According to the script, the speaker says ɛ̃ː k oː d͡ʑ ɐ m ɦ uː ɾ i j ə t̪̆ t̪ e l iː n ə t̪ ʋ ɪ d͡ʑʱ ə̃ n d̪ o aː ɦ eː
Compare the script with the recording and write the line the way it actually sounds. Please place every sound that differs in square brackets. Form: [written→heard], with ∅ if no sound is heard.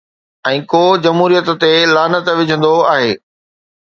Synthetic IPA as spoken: ɛ̃ː k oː d͡ʑ ɐ m ɦ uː ɾ i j ə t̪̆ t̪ e l [iː→aː] n ə t̪ ʋ ɪ d͡ʑʱ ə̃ n d̪ o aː ɦ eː